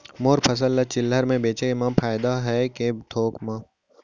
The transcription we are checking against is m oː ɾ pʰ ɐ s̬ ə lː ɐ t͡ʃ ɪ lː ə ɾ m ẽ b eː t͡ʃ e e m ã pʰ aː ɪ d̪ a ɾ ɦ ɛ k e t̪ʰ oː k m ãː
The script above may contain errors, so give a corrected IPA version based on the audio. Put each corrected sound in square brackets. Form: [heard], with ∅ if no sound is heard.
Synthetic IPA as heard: m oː ɾ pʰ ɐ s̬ ə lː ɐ t͡ʃ ɪ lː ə ɾ m ẽ b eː t͡ʃ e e m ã pʰ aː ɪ d̪ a [∅] ɦ ɛ k e t̪ʰ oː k m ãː